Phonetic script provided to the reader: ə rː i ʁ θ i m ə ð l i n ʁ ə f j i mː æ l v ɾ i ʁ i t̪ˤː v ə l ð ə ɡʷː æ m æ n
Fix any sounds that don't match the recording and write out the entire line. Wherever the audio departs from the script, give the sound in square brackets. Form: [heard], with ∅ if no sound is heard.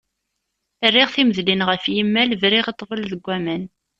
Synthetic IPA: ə rː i ʁ θ i m ə ð l i n ʁ ə f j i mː æ l v ɾ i ʁ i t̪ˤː v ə l ð ə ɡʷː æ m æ n